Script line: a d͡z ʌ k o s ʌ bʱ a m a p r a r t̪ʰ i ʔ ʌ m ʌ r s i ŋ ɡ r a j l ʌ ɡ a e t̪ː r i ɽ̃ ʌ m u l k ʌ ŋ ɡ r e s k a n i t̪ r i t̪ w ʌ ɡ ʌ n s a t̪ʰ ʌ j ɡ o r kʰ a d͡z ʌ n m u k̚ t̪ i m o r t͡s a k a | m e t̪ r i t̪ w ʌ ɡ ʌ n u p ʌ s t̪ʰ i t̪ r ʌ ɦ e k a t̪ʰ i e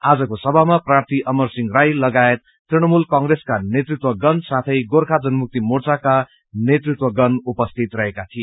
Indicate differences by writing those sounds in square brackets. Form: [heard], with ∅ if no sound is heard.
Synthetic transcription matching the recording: a d͡z ʌ k o s ʌ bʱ a m a p r a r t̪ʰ i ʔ ʌ m ʌ r s i ŋ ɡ r a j l ʌ ɡ a e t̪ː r i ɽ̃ ʌ m u l k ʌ ŋ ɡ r e s k a n [e] t̪ r i t̪ w ʌ ɡ ʌ n s a t̪ʰ ʌ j ɡ o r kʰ a d͡z ʌ n m u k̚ t̪ i m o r t͡s a k a | [n] e t̪ r i t̪ w ʌ ɡ ʌ n u p ʌ s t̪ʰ i t̪ r ʌ ɦ e k a t̪ʰ i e